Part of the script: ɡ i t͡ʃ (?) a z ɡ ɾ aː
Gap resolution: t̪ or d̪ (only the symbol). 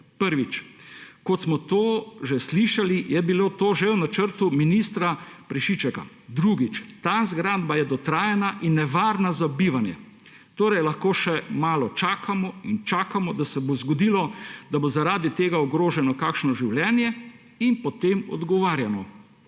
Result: t̪